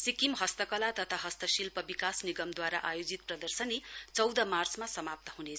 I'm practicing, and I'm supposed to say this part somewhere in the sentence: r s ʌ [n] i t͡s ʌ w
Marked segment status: correct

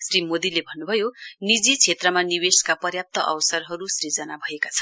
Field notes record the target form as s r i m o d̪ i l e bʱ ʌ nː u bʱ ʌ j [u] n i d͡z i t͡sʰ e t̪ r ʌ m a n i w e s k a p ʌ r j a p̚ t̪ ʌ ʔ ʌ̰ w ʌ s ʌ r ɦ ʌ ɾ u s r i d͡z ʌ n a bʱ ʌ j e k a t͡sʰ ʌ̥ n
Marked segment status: incorrect: o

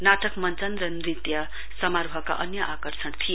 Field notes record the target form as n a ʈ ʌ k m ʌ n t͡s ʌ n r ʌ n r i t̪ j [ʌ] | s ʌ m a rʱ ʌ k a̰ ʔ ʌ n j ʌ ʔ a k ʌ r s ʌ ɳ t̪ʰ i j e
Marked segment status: correct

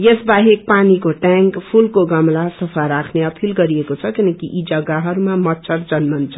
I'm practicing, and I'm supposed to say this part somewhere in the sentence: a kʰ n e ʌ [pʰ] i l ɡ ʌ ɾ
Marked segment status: correct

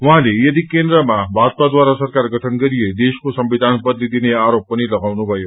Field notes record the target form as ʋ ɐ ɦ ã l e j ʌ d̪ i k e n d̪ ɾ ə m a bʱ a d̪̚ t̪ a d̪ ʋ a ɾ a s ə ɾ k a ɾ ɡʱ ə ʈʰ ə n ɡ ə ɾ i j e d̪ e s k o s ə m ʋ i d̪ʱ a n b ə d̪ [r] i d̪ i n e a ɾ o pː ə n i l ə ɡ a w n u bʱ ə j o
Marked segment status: incorrect: l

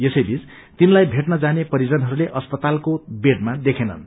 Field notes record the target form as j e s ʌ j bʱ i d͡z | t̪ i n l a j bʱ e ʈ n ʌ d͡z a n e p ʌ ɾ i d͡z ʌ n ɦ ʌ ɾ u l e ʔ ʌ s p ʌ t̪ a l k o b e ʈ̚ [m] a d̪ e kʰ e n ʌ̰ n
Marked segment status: correct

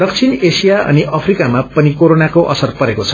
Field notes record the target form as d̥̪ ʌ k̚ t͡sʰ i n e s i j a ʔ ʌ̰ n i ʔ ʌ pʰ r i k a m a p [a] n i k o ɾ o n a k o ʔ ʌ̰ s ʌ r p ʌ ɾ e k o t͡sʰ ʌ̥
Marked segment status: incorrect: ʌ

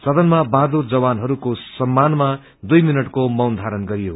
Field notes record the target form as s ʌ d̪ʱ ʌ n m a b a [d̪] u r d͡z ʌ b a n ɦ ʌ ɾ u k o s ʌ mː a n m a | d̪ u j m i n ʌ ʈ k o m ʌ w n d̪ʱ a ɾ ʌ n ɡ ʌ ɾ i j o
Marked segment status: correct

